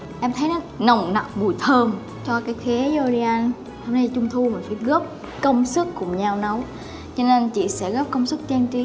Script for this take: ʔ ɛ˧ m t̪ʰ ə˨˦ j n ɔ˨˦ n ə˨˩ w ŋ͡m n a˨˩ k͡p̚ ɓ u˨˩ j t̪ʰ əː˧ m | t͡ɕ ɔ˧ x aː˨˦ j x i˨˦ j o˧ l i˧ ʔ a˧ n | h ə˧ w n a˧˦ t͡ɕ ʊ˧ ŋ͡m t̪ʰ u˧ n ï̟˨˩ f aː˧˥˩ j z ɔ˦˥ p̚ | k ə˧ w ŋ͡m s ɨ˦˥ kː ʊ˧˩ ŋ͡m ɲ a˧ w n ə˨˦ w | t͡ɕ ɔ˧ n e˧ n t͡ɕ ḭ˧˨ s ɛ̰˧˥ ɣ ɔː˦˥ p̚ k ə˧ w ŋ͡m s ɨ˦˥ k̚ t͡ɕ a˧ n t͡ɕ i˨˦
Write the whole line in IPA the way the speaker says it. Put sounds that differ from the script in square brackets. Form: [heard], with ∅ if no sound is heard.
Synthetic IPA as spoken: ʔ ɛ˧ m t̪ʰ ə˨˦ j n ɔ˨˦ n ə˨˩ w ŋ͡m n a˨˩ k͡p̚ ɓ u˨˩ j t̪ʰ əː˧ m | t͡ɕ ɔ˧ [k] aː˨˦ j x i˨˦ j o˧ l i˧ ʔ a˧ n | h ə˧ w n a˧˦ t͡ɕ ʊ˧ ŋ͡m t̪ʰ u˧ [m] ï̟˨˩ f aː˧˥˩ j [ɣ] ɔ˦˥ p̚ | k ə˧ w ŋ͡m s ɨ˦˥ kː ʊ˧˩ ŋ͡m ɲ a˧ w n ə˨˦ w | t͡ɕ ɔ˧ n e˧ n t͡ɕ ḭ˧˨ s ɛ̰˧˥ ɣ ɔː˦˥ p̚ k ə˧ w ŋ͡m s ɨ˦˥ k̚ t͡ɕ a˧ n t͡ɕ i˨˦